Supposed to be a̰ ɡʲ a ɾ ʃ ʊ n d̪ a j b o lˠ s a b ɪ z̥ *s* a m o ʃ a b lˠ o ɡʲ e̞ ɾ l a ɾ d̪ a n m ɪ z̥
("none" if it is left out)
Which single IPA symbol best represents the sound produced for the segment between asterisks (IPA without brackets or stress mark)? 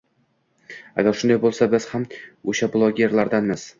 h